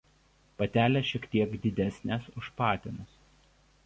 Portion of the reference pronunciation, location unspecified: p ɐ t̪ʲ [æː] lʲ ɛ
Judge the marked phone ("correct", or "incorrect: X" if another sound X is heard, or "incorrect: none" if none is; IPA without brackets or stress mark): correct